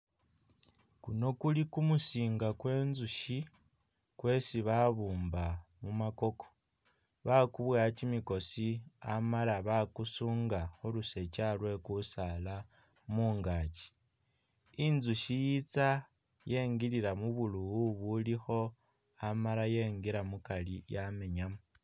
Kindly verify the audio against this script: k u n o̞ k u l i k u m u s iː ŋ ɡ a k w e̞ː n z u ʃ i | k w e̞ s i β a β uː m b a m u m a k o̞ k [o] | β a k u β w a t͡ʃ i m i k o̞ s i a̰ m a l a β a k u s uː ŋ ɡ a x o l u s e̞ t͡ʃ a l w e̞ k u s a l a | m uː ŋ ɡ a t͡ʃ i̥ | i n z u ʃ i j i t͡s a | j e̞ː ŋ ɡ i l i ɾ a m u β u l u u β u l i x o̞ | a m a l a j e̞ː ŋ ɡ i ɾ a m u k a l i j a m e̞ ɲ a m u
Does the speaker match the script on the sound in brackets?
yes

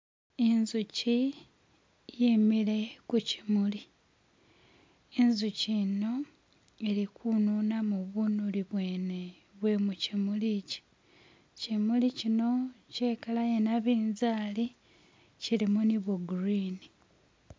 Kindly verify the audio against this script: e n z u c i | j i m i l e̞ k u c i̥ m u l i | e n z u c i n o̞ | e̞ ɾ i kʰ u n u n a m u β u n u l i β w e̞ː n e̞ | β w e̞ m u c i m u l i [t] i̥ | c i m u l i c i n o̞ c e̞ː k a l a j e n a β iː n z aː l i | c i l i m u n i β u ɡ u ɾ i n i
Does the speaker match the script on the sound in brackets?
no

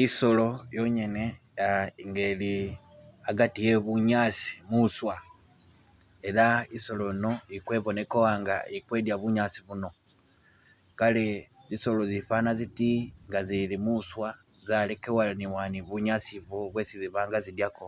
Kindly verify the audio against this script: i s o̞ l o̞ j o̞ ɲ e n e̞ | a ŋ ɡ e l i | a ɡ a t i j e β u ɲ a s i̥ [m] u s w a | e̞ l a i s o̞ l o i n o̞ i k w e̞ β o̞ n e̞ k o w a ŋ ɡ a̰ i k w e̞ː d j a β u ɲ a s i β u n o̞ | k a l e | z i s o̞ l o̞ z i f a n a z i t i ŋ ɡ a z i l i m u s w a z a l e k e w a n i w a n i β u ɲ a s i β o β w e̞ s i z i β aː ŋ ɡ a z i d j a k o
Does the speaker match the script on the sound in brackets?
yes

